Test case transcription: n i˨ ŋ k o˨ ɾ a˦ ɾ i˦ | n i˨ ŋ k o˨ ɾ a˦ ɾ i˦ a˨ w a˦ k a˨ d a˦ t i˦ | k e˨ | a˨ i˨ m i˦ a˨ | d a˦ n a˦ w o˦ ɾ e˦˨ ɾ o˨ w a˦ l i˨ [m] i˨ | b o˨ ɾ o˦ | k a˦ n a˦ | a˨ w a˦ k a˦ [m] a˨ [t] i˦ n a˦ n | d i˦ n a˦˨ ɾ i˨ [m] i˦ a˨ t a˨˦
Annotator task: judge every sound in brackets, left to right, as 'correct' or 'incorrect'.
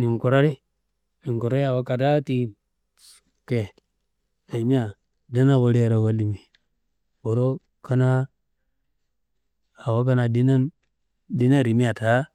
correct, incorrect, incorrect, correct

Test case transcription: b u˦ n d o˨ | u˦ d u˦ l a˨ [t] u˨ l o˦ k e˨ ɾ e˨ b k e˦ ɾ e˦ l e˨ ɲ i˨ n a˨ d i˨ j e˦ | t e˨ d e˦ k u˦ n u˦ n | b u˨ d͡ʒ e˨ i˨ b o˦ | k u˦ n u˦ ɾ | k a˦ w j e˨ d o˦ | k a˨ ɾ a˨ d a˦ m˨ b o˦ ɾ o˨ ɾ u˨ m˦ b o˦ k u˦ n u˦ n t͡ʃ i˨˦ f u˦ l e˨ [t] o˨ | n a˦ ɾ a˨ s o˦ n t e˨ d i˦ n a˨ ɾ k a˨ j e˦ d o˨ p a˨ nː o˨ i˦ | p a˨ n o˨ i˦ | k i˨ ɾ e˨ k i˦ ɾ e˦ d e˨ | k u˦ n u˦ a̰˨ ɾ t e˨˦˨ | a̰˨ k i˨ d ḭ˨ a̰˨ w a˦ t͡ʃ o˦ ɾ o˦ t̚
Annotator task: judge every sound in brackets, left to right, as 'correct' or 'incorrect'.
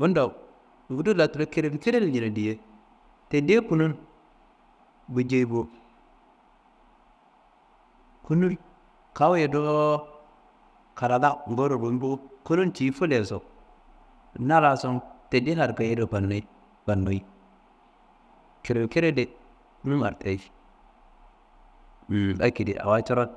correct, incorrect

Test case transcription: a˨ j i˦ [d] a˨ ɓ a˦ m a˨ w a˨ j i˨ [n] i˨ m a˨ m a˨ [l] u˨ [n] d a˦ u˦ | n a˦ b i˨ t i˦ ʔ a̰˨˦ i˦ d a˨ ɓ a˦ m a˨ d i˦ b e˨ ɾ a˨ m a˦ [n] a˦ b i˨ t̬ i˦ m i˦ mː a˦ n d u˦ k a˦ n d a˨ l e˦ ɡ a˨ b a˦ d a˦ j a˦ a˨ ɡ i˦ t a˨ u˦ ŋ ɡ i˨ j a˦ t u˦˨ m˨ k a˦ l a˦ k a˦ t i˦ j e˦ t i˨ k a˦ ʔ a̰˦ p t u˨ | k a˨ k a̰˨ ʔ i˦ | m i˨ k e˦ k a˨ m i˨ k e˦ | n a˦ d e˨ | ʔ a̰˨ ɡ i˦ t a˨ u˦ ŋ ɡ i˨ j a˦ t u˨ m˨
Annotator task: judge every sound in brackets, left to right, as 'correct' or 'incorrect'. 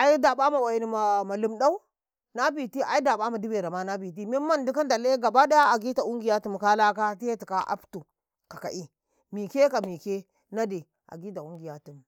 correct, correct, correct, incorrect, correct

